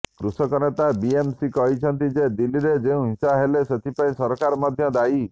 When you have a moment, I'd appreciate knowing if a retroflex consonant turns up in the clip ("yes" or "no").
no